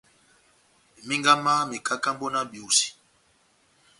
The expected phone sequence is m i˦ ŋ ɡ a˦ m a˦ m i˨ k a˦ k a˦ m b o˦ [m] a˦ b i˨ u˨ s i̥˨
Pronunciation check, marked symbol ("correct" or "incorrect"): incorrect